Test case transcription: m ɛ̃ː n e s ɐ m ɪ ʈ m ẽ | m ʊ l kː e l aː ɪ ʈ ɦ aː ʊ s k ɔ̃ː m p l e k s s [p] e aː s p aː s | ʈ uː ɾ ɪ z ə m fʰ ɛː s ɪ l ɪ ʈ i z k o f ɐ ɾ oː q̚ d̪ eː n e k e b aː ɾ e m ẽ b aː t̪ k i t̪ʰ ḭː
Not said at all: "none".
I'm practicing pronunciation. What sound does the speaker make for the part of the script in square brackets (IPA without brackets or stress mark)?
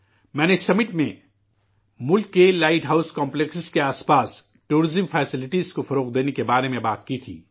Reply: k